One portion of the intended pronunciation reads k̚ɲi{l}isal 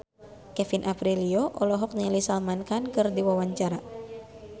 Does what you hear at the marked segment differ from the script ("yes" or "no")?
no